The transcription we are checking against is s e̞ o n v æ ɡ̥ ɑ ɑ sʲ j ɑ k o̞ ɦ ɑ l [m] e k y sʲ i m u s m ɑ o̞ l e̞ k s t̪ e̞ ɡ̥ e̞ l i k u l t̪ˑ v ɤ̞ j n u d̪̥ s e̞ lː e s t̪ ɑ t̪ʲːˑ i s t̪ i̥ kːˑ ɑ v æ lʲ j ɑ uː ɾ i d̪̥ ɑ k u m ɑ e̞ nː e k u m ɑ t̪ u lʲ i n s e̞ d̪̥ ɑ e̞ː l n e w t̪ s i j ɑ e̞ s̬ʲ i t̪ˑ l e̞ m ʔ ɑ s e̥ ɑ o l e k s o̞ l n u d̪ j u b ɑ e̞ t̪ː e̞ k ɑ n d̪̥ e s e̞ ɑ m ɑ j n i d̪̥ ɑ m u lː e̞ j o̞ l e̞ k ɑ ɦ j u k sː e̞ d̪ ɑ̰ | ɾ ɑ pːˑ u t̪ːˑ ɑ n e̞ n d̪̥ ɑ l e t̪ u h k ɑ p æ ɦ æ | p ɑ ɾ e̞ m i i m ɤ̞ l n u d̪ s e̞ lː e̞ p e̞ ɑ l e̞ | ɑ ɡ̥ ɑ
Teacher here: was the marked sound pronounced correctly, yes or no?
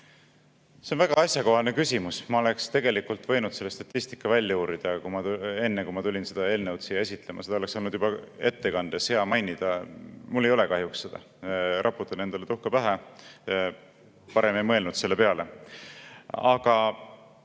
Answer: no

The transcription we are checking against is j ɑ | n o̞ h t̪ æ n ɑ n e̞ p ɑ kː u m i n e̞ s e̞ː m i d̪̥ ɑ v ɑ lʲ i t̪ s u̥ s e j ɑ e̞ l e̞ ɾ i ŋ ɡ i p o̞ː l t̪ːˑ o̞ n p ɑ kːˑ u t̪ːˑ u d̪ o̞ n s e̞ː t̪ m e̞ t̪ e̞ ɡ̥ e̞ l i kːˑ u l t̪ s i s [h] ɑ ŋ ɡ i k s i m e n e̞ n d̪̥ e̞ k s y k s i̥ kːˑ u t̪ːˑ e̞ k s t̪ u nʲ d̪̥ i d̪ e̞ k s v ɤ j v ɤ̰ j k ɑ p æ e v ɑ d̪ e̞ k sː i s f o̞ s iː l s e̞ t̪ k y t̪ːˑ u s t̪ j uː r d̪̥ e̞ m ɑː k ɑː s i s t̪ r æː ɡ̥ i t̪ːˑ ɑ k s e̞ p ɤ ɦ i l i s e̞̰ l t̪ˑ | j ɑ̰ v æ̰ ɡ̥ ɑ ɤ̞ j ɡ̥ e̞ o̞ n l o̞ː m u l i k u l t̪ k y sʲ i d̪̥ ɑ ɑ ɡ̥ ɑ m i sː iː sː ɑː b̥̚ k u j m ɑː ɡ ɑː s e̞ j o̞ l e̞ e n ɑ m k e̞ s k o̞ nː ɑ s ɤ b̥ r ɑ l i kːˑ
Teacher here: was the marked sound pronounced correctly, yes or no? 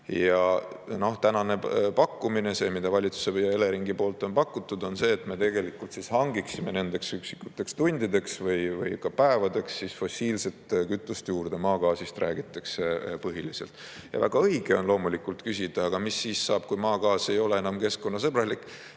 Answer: yes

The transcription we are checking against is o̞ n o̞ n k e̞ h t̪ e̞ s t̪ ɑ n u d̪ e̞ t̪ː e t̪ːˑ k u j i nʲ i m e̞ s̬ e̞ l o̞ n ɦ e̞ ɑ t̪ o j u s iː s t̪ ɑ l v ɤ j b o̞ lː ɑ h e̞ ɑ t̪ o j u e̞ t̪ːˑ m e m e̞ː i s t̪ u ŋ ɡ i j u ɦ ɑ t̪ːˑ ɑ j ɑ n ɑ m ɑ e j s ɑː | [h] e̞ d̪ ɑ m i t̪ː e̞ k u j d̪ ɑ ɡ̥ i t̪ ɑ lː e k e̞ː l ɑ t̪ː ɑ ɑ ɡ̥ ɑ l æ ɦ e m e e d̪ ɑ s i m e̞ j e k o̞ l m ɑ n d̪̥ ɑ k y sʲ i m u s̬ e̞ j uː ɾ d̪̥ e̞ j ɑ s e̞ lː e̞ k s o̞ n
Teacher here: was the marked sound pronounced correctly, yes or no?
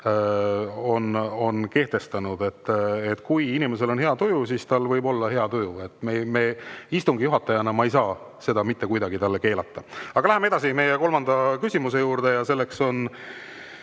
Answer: no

